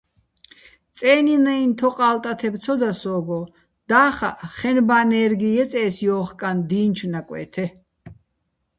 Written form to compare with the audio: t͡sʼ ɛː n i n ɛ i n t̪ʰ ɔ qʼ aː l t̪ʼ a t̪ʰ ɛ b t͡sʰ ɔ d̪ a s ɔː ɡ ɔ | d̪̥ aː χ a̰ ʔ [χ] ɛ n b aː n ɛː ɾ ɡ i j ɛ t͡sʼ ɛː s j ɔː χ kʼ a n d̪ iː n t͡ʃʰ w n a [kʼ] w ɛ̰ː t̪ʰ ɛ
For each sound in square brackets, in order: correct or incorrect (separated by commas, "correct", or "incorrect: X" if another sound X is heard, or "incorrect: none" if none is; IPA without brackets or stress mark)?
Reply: correct, correct